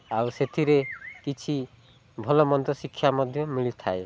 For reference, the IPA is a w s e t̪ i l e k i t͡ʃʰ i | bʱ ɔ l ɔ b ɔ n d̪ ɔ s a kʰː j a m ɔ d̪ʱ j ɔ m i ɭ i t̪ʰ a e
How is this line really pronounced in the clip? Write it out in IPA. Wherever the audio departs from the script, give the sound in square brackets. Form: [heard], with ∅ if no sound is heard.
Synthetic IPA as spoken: a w s e [t̪ʰ] i [ɾ] e k i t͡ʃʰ i | bʱ ɔ l ɔ [m] ɔ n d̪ ɔ s [i] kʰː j a m ɔ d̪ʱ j ɔ m i ɭ i t̪ʰ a e